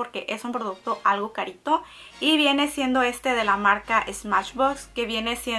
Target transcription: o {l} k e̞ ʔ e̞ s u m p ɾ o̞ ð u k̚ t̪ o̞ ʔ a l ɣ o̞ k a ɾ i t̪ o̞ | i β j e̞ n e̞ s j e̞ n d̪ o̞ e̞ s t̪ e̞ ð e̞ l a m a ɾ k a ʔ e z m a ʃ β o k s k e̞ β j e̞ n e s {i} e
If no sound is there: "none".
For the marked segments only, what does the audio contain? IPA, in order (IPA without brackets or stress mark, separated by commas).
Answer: ɾ, j